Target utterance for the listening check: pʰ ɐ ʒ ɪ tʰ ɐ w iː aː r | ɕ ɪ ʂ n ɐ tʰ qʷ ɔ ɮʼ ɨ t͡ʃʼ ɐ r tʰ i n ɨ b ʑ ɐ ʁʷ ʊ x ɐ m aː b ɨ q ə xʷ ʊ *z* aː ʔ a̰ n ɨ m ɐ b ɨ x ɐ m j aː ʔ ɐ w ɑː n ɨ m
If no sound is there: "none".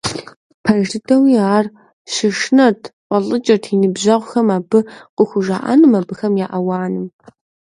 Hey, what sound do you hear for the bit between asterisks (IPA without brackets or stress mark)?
ʒ